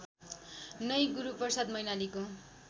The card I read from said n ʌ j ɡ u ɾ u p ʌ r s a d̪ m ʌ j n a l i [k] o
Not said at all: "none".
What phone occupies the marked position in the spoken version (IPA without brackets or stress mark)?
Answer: k